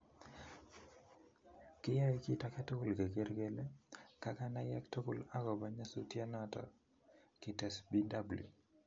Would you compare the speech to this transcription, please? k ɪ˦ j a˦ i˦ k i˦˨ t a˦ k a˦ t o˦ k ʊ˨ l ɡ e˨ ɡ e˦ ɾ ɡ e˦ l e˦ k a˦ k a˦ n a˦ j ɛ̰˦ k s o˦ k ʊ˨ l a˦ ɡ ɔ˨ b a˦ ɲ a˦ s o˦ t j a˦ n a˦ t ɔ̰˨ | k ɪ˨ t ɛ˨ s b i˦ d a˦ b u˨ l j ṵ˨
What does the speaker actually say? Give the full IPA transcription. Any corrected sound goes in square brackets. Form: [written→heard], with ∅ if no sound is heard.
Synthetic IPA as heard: k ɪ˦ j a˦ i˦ k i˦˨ t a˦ k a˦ t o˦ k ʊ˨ l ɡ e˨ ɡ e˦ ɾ ɡ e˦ l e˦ k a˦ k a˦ n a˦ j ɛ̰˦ k [s→t] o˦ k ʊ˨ l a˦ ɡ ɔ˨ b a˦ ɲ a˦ s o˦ t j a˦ n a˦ t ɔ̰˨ | k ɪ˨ t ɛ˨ s b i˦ d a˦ b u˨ l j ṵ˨